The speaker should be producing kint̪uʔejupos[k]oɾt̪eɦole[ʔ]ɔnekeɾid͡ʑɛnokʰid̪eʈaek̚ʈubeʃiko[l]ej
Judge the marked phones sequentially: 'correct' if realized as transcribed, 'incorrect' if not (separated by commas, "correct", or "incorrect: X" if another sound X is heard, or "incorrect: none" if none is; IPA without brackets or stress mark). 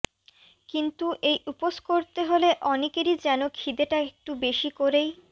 correct, correct, incorrect: ɾ